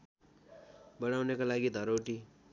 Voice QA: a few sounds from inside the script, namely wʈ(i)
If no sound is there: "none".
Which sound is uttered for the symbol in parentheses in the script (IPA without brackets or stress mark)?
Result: i